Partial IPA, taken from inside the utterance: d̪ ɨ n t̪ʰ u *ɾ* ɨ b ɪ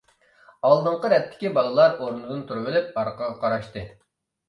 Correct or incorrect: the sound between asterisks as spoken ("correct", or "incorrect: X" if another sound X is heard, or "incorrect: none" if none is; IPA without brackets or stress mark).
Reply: correct